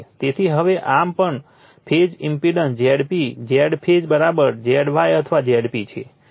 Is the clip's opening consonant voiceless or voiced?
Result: voiceless